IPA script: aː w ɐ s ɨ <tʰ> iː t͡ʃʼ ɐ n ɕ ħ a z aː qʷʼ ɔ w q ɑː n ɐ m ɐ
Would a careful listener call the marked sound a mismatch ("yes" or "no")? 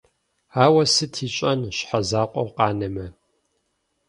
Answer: no